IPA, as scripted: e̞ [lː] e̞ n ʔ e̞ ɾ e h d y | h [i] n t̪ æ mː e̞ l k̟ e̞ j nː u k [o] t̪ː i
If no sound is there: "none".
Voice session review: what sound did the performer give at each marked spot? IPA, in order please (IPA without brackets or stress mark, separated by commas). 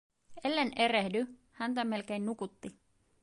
lː, æ, u